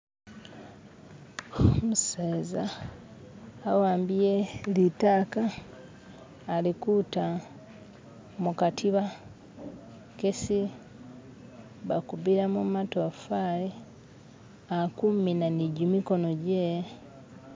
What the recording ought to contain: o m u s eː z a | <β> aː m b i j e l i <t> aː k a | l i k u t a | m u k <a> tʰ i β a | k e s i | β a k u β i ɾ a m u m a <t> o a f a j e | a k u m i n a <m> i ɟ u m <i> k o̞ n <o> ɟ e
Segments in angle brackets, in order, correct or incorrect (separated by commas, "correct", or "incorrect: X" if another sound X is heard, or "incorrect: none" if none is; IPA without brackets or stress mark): incorrect: w, correct, correct, correct, incorrect: n, correct, correct